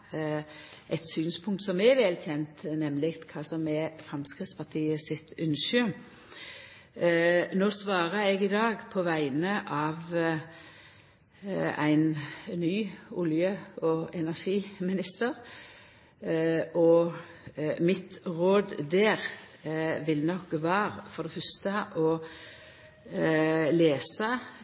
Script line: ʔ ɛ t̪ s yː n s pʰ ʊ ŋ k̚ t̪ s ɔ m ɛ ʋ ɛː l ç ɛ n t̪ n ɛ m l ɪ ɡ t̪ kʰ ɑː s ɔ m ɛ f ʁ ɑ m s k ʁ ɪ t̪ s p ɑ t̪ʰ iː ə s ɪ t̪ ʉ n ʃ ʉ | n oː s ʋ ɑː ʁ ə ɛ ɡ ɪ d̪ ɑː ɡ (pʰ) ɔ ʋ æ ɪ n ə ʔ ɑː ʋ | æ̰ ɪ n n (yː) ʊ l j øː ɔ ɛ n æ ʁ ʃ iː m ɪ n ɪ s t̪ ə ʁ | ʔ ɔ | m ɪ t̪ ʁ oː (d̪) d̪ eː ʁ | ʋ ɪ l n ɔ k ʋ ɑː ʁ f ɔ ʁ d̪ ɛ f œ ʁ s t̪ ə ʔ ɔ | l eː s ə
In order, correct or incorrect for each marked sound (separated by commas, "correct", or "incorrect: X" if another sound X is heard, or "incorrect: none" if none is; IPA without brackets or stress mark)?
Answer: correct, correct, correct